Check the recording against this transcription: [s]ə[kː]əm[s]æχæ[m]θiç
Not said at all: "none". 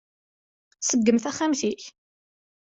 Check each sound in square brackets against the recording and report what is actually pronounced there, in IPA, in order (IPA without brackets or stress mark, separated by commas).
s, ɡː, θ, m